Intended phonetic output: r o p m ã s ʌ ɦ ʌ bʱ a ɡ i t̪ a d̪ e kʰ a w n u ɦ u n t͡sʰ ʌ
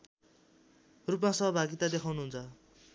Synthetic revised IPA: r u p m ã s ʌ ɦ ʌ bʱ a ɡ i t̪ a d̪ e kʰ a w n u ɦ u n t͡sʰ ʌ